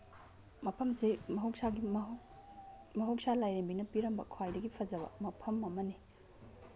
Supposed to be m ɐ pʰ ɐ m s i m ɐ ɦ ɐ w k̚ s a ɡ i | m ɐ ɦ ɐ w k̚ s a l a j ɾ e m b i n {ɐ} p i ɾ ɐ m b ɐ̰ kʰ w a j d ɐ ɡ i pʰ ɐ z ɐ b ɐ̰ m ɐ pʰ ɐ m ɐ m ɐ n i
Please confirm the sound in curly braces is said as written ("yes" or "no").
yes